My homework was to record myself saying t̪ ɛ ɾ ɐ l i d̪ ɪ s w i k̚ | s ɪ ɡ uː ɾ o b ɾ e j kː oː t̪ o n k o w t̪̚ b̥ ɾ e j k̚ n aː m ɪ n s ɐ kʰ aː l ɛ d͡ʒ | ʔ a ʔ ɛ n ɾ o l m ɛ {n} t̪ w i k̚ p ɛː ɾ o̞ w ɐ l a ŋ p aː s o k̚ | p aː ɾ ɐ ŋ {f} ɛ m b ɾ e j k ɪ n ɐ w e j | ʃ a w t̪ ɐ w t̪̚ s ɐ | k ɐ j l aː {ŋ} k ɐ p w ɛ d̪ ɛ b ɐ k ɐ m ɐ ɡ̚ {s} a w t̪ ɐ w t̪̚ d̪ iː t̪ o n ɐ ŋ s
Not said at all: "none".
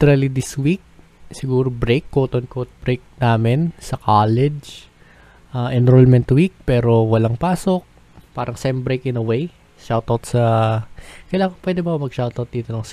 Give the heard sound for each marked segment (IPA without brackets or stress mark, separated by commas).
n, s, ŋ, ʃ